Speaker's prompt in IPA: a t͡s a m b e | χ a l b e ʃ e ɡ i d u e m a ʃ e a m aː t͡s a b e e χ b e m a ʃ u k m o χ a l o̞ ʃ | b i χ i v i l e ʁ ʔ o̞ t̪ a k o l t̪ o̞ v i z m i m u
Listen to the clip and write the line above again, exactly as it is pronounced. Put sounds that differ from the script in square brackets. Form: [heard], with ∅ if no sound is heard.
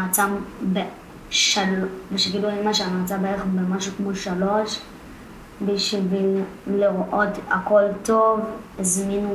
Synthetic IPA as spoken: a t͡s a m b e | [ʃ] a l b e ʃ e ɡ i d u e m a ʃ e a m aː t͡s a b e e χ b e m a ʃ u k m o [ʃ] a l o̞ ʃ | b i [ʃ] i v i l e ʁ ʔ o̞ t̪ a k o l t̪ o̞ v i z m i [n] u